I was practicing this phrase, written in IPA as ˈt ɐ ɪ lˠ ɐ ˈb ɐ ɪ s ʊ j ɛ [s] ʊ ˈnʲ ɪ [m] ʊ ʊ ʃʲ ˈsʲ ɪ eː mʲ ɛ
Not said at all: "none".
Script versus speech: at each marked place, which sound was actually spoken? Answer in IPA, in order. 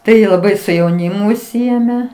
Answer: none, m

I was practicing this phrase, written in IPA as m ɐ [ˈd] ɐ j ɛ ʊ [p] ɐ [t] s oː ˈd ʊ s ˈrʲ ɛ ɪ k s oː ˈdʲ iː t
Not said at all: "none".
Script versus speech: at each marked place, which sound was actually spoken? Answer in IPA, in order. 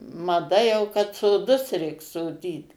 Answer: d, k, t

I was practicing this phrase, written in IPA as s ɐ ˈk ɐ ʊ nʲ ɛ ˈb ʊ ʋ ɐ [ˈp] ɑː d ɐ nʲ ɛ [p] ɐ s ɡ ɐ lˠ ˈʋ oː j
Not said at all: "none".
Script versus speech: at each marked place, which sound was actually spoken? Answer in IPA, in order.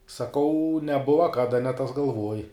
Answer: k, t

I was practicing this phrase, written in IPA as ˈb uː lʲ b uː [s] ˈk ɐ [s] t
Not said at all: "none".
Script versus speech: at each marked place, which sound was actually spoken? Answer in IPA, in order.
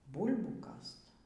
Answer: none, s

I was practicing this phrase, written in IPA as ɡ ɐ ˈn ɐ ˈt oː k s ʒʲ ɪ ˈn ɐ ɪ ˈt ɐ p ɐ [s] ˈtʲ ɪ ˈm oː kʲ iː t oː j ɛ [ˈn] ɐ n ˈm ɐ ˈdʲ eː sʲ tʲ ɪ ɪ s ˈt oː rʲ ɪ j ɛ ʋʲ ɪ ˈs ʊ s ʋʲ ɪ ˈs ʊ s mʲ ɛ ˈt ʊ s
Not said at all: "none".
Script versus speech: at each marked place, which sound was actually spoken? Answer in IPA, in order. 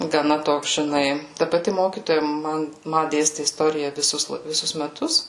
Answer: none, m

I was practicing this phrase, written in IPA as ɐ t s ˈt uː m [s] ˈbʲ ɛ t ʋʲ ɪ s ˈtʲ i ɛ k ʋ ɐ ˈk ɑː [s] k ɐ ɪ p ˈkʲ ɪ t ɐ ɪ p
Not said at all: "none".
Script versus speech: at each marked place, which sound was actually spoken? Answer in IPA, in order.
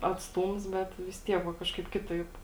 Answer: s, ʃ

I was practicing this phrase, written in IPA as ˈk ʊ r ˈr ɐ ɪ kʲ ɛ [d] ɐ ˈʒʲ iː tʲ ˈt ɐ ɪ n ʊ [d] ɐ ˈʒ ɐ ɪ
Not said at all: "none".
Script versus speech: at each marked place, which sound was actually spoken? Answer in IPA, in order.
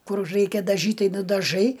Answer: d, d

